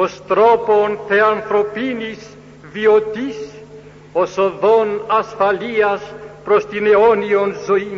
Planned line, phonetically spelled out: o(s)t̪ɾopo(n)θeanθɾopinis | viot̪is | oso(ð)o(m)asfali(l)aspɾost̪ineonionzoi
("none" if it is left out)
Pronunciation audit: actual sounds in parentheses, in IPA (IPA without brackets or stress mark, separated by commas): s, n, ð, n, none